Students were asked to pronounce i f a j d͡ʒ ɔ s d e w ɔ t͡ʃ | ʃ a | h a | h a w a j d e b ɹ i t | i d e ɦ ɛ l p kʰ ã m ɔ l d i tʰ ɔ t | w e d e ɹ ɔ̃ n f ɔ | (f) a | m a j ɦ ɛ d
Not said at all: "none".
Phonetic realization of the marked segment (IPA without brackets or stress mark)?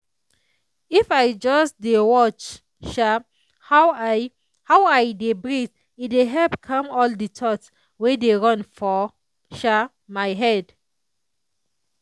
ʃ